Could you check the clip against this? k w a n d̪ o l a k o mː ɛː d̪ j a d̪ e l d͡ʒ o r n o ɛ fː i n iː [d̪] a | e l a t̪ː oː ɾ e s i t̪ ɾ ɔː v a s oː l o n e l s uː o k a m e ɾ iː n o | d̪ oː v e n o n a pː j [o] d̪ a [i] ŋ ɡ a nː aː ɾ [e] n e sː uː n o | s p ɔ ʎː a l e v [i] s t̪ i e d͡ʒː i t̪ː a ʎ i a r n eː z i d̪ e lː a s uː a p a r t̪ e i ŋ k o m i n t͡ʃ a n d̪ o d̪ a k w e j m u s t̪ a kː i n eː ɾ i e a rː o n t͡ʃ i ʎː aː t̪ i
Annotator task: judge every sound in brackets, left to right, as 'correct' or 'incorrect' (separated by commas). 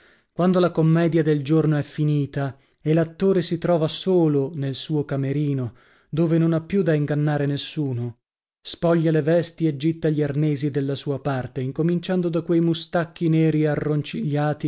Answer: incorrect, incorrect, correct, correct, incorrect